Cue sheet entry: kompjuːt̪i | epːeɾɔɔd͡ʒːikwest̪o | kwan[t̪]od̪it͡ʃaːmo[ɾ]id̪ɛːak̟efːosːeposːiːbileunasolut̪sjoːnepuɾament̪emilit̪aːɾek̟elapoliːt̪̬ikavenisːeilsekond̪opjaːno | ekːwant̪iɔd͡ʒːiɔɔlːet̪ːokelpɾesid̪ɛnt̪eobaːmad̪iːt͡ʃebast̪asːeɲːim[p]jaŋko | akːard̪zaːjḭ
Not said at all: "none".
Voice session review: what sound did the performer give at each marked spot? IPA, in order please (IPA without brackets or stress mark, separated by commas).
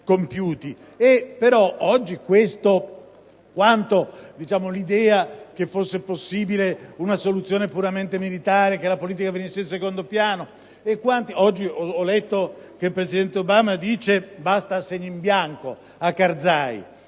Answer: t̪, l, b